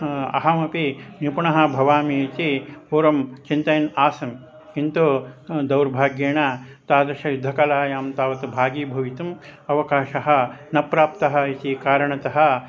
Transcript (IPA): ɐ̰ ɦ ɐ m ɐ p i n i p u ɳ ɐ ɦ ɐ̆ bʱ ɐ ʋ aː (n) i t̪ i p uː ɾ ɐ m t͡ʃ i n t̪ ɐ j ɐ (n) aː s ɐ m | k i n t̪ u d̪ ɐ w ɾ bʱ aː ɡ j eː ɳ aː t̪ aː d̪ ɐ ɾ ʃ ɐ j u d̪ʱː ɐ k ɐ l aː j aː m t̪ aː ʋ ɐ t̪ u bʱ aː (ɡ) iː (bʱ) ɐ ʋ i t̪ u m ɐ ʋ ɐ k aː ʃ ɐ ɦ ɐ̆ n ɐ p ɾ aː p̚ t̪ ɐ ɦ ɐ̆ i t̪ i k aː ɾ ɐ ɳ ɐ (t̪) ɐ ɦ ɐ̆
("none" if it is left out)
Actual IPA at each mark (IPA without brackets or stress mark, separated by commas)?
m, n, ɡ, bʱ, t̪